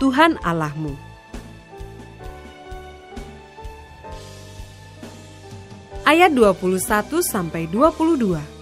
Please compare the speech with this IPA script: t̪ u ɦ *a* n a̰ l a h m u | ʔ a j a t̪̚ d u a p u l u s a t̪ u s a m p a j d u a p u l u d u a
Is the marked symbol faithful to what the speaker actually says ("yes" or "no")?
yes